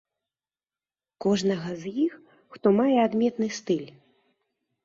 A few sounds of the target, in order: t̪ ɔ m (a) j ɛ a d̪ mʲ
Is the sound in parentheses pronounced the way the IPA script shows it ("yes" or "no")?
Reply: yes